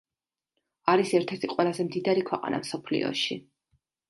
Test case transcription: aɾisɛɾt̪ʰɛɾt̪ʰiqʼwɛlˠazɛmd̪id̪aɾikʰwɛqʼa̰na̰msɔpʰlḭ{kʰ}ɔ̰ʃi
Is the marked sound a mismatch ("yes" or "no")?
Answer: yes